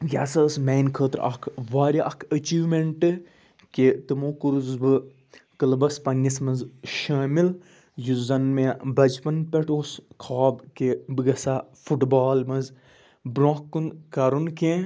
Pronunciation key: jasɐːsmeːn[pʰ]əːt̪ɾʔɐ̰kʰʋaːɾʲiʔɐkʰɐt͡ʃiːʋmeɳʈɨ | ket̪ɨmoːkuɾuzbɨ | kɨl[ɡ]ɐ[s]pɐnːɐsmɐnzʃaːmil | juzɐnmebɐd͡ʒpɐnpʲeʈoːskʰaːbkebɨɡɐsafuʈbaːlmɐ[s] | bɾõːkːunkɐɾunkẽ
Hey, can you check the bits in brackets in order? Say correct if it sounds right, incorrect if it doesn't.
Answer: incorrect: kʰ, incorrect: b, correct, incorrect: z

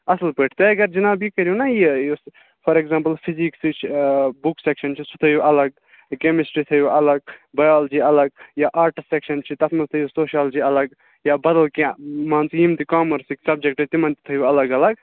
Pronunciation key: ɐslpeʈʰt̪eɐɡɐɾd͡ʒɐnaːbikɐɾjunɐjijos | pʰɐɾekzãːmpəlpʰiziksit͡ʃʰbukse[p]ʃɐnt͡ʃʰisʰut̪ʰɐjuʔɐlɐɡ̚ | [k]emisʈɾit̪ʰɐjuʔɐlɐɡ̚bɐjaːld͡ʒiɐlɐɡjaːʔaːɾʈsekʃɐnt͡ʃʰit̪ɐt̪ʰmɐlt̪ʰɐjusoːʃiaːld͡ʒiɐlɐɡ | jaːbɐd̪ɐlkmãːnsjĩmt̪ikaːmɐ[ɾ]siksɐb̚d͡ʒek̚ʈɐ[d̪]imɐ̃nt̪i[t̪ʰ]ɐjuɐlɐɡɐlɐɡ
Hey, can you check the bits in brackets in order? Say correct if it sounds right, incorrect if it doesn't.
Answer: incorrect: k, correct, correct, incorrect: t̪, correct

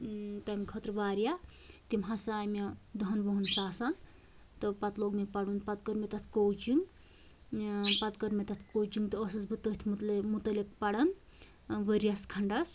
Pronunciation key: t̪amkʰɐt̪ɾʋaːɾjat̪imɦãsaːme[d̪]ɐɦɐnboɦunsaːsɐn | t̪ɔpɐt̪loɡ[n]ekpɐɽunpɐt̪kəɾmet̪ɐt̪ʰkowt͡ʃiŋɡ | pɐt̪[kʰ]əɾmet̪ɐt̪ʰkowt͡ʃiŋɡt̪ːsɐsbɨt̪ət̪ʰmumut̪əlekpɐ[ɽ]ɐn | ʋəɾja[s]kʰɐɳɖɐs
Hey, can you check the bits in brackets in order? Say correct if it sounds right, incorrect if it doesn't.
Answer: correct, incorrect: m, incorrect: k, correct, correct

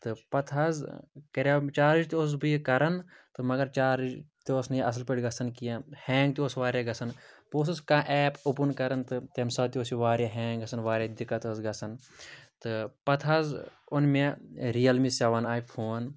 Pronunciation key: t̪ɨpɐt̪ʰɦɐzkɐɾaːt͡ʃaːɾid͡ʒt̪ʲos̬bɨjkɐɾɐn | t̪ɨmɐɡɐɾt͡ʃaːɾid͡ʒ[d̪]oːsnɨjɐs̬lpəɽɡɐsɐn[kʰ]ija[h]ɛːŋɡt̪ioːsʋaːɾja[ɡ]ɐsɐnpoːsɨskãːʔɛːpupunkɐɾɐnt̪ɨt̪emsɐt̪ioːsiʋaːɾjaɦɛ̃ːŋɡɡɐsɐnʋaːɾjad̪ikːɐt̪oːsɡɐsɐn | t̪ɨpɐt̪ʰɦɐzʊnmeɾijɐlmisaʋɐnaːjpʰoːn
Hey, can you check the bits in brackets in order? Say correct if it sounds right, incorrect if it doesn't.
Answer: incorrect: t̪, incorrect: k, correct, correct

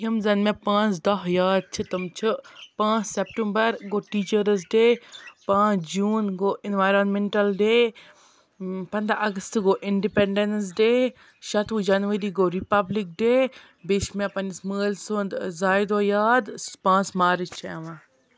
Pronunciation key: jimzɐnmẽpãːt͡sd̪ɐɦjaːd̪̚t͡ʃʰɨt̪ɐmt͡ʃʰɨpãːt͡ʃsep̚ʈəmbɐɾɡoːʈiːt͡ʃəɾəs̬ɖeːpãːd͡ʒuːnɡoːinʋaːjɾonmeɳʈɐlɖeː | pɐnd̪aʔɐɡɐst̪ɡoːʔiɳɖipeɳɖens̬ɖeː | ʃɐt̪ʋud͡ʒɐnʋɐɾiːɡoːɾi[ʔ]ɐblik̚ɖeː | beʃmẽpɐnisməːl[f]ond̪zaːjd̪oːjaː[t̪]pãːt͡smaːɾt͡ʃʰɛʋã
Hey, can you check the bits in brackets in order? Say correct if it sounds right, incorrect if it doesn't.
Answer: incorrect: p, incorrect: s, incorrect: d̪

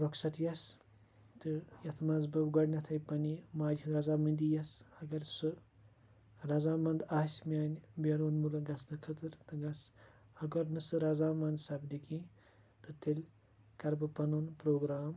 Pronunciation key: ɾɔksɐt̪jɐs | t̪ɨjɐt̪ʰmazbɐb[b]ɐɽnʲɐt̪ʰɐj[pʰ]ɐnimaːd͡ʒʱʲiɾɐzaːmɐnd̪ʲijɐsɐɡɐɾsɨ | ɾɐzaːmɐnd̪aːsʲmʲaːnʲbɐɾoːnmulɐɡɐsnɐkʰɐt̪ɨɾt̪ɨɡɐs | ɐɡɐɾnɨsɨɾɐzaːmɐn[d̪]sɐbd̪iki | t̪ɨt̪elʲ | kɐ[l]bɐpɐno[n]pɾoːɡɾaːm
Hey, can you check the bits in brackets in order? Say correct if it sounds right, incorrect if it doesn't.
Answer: incorrect: ɡ, incorrect: p, correct, incorrect: ɾ, correct

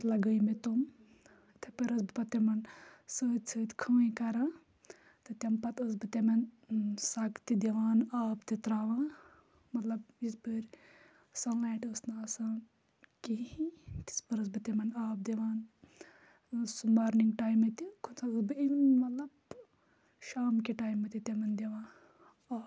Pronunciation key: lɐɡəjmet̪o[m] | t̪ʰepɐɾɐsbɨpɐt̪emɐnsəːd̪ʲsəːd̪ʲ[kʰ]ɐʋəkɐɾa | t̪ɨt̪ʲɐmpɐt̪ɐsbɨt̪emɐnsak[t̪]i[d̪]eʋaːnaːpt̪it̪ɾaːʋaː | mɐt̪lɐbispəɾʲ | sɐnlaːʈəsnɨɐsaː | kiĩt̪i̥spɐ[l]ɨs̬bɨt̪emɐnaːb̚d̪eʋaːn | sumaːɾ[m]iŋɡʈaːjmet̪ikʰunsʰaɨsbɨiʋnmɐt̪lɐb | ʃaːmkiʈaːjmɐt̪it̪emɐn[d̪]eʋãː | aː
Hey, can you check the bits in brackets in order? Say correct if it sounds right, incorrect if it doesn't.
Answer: correct, correct, correct, correct, incorrect: ɾ, incorrect: n, correct

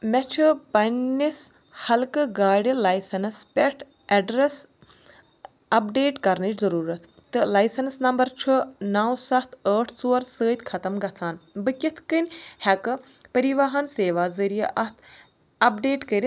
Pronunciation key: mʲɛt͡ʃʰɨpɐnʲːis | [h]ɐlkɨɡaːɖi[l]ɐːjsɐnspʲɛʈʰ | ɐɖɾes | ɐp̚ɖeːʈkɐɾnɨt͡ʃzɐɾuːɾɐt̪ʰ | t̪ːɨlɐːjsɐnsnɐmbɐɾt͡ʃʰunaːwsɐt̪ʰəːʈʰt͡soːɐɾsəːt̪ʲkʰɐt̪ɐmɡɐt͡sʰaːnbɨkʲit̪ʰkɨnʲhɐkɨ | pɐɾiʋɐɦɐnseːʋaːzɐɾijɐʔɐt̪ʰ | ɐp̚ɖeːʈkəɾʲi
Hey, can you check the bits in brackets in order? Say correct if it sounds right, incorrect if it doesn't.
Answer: correct, correct

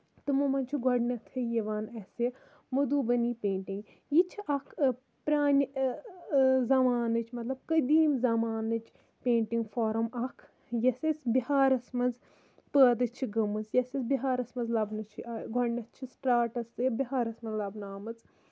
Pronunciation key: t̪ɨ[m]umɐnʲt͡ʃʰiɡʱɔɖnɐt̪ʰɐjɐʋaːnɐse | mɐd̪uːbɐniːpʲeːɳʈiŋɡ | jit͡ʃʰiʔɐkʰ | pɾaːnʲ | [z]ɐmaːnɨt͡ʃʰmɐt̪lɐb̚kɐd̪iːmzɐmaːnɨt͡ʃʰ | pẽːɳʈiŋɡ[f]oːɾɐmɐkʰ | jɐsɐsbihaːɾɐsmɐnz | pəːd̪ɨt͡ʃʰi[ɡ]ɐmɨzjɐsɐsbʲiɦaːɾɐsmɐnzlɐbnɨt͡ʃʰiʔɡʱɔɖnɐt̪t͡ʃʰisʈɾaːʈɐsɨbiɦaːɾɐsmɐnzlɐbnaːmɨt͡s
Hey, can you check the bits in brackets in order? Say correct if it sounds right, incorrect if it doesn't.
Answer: correct, correct, correct, correct

